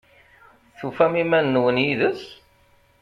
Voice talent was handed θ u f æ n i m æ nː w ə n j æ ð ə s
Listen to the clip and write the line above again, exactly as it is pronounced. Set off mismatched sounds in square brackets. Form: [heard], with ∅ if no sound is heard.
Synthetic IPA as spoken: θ u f æ [m] i m æ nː w ə n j [i] ð ə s